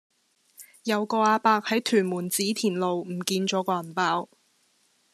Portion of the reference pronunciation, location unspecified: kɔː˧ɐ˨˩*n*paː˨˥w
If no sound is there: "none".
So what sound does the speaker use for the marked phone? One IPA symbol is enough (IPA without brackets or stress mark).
n